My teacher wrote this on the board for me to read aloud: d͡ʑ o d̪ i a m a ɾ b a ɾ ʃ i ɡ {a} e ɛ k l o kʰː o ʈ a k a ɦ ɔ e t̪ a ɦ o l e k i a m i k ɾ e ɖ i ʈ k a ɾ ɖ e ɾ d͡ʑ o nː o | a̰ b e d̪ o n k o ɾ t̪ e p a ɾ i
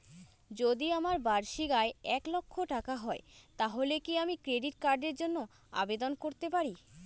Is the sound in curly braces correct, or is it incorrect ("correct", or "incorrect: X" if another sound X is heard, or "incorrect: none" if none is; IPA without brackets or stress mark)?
correct